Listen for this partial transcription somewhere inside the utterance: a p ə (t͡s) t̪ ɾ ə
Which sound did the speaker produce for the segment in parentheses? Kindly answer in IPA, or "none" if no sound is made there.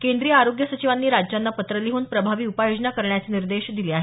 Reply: none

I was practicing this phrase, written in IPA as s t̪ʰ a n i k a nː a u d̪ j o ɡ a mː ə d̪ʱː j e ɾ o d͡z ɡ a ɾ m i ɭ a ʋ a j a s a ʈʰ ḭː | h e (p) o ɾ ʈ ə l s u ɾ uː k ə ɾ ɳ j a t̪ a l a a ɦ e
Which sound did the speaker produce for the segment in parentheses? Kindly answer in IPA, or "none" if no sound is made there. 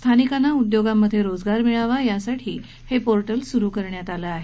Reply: p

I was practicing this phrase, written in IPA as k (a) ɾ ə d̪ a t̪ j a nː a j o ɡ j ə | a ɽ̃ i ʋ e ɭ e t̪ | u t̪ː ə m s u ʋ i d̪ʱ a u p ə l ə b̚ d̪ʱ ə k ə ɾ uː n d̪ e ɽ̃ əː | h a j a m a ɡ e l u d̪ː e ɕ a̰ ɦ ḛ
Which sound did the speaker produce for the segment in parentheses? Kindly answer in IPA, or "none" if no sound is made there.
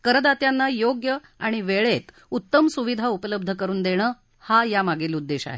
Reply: ə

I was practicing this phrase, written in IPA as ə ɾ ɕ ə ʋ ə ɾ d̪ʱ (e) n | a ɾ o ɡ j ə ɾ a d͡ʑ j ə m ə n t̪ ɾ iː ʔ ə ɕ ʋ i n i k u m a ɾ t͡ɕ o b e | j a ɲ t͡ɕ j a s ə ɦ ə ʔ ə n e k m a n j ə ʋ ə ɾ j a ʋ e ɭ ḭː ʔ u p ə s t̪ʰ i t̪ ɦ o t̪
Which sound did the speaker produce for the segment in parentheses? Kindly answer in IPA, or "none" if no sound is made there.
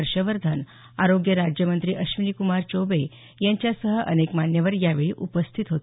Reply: a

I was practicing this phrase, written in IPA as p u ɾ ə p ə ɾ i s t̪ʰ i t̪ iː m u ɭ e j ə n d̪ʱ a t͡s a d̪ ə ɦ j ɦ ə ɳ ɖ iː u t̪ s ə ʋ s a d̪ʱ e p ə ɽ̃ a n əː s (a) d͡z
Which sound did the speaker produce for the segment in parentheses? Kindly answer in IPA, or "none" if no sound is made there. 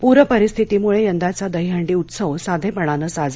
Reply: a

